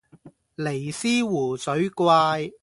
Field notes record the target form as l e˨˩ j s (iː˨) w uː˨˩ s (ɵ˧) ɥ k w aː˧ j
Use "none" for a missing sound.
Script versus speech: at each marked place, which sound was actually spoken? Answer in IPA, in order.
iː˥, ɵ˨˥

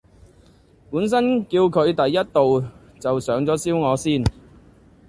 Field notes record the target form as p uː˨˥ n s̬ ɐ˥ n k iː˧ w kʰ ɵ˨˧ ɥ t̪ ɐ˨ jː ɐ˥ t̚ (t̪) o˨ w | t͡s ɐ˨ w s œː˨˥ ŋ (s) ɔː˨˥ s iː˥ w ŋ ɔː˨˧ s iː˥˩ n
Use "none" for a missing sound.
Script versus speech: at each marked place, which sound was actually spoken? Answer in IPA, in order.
t̪, t͡s

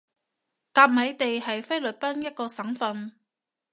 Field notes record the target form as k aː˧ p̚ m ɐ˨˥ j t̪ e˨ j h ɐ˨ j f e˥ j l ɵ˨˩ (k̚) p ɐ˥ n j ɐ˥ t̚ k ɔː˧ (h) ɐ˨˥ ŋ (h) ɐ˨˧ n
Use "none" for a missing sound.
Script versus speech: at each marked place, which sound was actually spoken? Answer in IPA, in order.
t̚, s, f

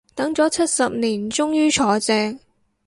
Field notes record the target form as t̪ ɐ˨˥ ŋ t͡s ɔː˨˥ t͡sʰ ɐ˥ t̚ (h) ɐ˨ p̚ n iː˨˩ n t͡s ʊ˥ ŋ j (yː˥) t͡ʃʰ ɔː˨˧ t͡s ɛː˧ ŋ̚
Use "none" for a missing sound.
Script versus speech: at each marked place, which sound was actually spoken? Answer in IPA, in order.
s, yː˥

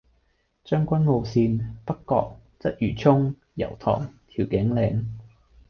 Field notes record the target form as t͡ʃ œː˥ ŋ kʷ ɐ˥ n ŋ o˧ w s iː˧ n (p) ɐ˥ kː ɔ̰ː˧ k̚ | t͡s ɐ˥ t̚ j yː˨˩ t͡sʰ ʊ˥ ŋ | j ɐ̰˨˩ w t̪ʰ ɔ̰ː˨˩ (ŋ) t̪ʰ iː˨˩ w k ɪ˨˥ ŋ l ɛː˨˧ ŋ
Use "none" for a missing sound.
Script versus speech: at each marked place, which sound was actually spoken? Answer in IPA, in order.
p, ŋ

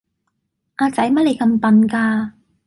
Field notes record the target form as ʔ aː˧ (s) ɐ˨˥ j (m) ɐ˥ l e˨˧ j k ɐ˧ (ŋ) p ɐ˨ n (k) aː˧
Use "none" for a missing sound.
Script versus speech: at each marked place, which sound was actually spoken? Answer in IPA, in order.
t͡s, m, m, k

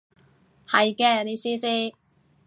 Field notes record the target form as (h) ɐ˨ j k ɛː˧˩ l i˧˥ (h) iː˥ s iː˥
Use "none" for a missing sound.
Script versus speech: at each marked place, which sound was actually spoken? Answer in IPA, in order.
h, s

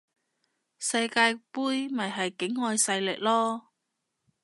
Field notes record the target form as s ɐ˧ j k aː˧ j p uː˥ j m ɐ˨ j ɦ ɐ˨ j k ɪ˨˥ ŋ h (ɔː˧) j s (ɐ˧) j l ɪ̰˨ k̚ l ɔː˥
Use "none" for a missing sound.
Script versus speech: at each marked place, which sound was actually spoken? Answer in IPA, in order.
ɔː˧, ɐ˧

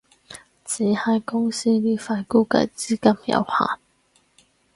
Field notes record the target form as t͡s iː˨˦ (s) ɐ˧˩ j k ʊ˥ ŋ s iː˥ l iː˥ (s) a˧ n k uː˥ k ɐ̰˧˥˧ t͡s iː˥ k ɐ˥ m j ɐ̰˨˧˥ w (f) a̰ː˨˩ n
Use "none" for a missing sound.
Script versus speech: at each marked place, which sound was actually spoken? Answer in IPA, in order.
h, f, h

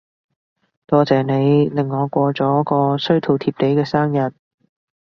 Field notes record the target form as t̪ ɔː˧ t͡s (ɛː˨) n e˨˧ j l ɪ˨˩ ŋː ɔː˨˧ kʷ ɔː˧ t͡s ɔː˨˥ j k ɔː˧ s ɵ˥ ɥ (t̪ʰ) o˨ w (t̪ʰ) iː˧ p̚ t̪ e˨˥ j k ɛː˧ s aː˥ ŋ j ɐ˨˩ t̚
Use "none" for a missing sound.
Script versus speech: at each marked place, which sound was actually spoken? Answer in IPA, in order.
ɛː˨, t̪ʰ, t̪ʰ

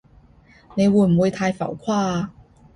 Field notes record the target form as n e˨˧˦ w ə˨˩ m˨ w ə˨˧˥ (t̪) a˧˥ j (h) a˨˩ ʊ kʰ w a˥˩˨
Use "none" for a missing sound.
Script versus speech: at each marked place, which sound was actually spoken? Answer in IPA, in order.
t̪ʰ, f

